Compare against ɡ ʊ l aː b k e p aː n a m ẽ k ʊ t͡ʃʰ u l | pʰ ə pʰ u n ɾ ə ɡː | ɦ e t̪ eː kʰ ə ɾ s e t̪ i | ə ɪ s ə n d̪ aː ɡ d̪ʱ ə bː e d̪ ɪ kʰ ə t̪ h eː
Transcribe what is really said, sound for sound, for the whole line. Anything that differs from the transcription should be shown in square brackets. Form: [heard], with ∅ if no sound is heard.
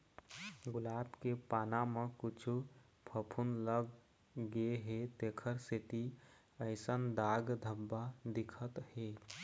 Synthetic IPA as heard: ɡ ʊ l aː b k e p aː n a m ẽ k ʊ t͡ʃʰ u [∅] | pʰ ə pʰ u n [l] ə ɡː | ɦ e t̪ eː kʰ ə ɾ s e t̪ i | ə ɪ s ə n d̪ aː ɡ d̪ʱ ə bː [a] d̪ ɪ kʰ ə t̪ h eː